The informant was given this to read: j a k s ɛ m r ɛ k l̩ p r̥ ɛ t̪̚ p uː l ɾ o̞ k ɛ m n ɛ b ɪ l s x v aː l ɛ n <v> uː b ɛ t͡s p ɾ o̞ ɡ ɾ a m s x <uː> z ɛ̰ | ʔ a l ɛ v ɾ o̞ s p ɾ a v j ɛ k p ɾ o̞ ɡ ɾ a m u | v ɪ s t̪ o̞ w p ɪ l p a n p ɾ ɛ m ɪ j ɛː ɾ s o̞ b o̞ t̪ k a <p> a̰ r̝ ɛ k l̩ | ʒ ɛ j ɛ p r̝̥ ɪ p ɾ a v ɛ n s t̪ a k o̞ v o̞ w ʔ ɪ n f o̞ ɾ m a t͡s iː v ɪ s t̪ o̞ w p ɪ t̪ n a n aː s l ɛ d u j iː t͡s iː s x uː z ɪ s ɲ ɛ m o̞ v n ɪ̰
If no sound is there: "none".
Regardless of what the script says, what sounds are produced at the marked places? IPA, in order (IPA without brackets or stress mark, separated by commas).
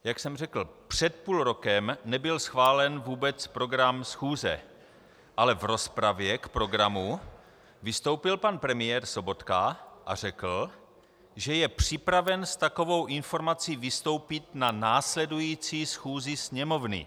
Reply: v, uː, ʔ